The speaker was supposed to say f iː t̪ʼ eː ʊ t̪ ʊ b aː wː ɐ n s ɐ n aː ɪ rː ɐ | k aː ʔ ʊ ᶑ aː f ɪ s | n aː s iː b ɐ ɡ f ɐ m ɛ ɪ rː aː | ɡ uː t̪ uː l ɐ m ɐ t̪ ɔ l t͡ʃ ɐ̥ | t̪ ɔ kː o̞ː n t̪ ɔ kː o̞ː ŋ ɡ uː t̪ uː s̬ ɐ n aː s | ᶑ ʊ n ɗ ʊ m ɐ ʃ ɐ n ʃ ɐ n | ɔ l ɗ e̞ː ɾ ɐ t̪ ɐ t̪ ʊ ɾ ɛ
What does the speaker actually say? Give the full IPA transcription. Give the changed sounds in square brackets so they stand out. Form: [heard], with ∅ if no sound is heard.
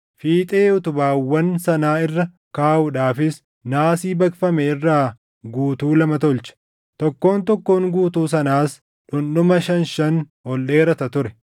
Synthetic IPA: f iː t̪ʼ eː ʊ t̪ ʊ b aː wː ɐ n s ɐ n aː ɪ rː ɐ | k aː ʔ ʊ ᶑ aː f ɪ s | n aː s iː b ɐ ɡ f ɐ m ɛ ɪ rː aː | ɡ uː t̪ uː l ɐ m ɐ t̪ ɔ l t͡ʃ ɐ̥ | t̪ ɔ kː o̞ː n t̪ ɔ kː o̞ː ŋ ɡ uː t̪ uː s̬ ɐ n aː s | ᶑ ʊ n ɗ ʊ m ɐ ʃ ɐ n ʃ ɐ n | ɔ l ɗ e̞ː ɾ ɐ t̪ ɐ t̪ ʊ ɾ ɛ